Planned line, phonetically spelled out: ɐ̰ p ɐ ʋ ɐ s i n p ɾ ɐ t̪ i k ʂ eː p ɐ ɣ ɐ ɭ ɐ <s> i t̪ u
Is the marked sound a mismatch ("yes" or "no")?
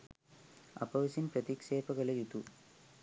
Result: yes